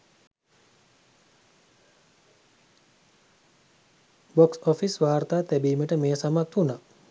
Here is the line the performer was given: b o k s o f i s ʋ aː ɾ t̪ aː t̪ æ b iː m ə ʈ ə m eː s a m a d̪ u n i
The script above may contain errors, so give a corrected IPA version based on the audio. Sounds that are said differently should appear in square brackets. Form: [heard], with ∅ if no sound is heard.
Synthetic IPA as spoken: b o k s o f i s ʋ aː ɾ t̪ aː t̪ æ b iː m ə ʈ ə m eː s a m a [t̪] u n [a]

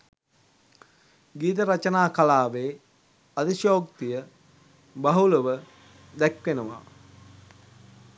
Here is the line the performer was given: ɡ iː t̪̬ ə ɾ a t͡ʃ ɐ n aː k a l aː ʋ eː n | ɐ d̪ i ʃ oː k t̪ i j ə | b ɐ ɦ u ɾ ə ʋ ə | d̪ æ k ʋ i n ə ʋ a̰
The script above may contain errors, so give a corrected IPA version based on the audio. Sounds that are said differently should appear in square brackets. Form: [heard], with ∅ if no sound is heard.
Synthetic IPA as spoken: ɡ iː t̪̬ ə ɾ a t͡ʃ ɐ n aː k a l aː ʋ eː [∅] | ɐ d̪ i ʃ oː k t̪ i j ə | b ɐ ɦ u [l] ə ʋ ə | d̪ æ k ʋ [e] n ə ʋ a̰

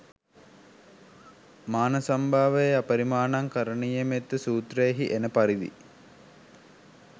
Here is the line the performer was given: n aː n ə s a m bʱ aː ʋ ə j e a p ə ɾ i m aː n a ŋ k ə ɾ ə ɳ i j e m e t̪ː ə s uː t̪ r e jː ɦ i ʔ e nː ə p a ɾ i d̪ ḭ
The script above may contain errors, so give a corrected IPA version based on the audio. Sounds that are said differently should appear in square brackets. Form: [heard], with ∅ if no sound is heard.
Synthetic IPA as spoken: [m] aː n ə s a m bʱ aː ʋ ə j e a p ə ɾ i m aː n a ŋ k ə ɾ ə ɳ i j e m e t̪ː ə s uː t̪ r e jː ɦ i ʔ e [n] ə p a ɾ i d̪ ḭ

